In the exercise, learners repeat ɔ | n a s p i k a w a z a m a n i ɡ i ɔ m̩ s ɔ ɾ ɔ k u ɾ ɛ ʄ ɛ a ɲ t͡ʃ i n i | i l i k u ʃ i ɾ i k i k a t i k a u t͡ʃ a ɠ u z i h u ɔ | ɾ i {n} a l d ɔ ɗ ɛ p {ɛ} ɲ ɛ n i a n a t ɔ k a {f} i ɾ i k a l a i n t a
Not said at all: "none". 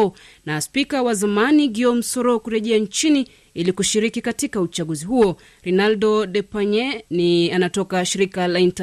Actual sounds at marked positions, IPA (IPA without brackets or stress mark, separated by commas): n, a, ʃ